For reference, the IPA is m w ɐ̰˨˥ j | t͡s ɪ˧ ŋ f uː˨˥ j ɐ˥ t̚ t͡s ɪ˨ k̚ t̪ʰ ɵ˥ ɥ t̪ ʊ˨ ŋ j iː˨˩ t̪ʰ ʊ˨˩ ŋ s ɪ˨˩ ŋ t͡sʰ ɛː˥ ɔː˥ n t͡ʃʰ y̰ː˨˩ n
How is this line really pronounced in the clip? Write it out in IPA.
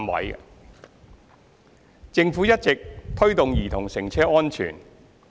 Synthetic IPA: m w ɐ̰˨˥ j | t͡s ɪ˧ ŋ f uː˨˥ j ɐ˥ t̚ t͡s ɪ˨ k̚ t̪ʰ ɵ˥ ɥ t̪ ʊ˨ ŋ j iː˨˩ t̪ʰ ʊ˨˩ ŋ s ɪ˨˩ ŋ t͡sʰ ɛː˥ ɔː˥ n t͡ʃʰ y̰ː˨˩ n

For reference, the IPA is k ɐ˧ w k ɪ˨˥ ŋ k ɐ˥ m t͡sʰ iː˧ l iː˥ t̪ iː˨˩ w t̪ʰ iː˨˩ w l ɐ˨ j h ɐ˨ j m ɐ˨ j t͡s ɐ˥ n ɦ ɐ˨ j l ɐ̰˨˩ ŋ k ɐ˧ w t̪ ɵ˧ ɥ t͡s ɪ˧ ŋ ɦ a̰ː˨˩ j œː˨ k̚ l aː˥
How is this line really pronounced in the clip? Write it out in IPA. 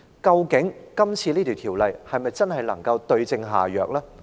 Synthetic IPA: k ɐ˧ w k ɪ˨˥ ŋ k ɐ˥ m t͡sʰ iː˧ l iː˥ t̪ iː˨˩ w t̪ʰ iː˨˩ w l ɐ˨ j h ɐ˨ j m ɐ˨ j t͡s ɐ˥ n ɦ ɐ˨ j l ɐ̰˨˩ ŋ k ɐ˧ w t̪ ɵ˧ ɥ t͡s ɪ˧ ŋ ɦ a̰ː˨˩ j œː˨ k̚ l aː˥

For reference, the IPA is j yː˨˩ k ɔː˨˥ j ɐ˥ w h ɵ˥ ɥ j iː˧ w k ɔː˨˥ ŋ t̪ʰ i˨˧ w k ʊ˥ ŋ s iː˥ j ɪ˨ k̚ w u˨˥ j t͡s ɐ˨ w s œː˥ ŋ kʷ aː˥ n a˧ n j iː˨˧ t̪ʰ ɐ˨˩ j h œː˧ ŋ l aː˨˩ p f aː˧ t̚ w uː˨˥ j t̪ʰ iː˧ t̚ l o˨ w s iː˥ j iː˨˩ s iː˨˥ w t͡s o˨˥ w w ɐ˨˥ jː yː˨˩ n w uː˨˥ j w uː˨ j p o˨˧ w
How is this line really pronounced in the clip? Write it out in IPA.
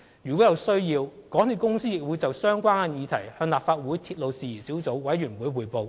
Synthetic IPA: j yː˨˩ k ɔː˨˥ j ɐ˨ w s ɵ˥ ɥ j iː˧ w k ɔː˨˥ ŋ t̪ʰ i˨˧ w k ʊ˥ ŋ s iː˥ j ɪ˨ k̚ w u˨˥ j t͡s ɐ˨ w s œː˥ ŋ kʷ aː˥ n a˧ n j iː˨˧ t̪ʰ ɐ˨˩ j h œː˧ ŋ l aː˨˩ p f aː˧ t̚ w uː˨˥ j t̪ʰ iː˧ t̚ l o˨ w s iː˨˩ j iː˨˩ s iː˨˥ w t͡s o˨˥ w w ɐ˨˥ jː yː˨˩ n w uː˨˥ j w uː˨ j p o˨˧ w

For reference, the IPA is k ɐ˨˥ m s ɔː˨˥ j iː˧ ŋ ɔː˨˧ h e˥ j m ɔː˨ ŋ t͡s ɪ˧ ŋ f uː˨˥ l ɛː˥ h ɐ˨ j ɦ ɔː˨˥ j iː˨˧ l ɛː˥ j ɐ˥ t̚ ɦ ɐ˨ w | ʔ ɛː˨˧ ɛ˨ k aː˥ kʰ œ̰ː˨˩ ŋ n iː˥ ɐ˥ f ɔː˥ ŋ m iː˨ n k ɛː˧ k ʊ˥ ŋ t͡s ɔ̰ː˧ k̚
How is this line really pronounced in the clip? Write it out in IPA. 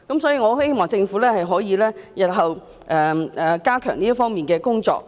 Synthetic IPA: k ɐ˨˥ m s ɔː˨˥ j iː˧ ŋ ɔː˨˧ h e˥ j m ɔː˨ ŋ t͡s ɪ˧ ŋ f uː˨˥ l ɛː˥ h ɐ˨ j ɦ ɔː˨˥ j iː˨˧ l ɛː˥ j ɐ˨ t̚ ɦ ɐ˨ w | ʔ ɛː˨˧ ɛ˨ k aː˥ kʰ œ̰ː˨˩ ŋ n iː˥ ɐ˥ f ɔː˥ ŋ m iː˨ n k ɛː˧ k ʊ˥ ŋ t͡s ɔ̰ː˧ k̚

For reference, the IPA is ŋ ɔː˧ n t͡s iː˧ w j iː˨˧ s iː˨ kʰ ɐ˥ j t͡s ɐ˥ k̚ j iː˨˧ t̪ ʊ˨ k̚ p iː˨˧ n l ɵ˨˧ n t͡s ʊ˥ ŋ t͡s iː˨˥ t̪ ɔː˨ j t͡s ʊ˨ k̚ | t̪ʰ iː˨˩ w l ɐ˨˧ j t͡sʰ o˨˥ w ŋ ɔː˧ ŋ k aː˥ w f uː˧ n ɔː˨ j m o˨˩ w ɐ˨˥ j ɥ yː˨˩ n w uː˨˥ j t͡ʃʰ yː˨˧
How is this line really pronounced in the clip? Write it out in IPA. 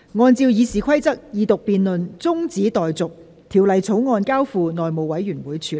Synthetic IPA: ŋ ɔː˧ n t͡s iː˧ w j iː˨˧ s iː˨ kʰ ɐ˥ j t͡s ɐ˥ k̚ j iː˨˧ t̪ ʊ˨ k̚ p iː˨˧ n l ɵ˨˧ n t͡s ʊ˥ ŋ t͡s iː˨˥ t̪ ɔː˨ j t͡s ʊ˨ k̚ | t̪ʰ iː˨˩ w l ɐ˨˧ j t͡sʰ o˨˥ w ŋ ɔː˧ n k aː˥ w f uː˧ n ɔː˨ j m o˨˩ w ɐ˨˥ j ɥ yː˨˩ n w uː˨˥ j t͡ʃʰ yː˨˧

